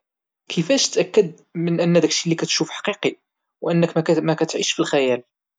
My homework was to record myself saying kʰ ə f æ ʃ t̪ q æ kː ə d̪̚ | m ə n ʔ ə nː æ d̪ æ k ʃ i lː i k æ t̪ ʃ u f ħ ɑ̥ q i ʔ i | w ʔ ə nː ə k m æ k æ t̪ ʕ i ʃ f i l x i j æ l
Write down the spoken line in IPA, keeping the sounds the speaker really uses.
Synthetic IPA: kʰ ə f æ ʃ t̪ ʔ æ kː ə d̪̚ | m ə n ʔ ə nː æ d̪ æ k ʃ i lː i k æ t̪ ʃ u f ħ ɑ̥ q i q i | w ʔ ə nː ə k m æ k æ t̪ ʕ i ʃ f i l x æ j æ l